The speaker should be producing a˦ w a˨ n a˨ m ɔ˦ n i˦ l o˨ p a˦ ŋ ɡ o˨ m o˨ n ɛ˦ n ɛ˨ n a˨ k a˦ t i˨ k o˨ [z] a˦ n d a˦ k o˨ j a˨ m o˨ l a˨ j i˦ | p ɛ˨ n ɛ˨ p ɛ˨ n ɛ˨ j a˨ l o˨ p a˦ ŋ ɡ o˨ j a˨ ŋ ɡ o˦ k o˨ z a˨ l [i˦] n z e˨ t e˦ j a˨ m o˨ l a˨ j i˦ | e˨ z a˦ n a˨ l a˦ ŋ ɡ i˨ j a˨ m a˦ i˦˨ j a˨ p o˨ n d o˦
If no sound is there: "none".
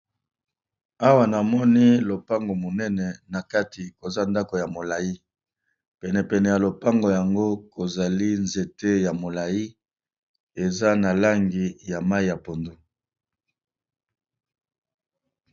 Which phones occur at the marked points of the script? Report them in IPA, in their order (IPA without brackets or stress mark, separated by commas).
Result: z, i˦